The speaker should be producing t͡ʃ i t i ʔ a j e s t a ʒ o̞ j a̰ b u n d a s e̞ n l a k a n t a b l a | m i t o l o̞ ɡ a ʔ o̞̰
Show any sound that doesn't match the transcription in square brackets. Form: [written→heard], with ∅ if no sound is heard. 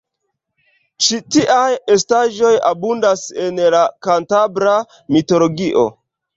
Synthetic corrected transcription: t͡ʃ i t i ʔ a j e s t a ʒ o̞ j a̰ b u n d a s e̞ n l a k a n t a b [l→ɾ] a | m i t o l o̞ ɡ [a→i] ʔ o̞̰